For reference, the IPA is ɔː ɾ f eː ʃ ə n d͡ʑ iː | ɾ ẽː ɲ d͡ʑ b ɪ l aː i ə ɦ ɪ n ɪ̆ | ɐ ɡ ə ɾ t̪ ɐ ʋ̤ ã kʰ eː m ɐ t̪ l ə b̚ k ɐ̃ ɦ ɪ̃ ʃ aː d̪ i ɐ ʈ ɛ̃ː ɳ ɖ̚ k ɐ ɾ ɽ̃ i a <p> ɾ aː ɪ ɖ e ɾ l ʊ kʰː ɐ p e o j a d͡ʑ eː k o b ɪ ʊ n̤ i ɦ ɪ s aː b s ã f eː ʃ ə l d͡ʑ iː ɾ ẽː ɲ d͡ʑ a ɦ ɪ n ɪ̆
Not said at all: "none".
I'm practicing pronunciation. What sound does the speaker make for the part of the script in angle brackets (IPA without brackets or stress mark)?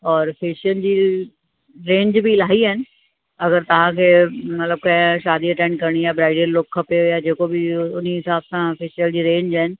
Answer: b